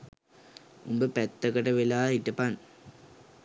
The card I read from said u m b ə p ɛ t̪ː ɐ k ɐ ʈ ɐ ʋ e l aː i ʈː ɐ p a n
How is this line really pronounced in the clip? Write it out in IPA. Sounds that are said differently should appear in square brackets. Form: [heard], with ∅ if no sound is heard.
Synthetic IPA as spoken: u m b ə p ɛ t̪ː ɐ k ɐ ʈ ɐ ʋ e l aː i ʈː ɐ p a n